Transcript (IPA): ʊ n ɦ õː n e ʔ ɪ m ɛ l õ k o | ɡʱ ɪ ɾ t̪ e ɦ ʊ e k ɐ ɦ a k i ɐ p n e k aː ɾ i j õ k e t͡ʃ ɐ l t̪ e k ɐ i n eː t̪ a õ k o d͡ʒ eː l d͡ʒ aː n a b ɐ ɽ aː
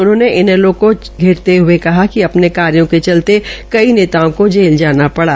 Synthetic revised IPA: ʊ n ɦ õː n e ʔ ɪ n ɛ l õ k o | ɡʱ ɪ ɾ t̪ e ɦ ʊ e k ɐ ɦ a k i ɐ p n e k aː ɾ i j õ k e t͡ʃ ɐ l t̪ e k ɐ i n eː t̪ a õ k o d͡ʒ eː l d͡ʒ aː n a p ɐ ɽ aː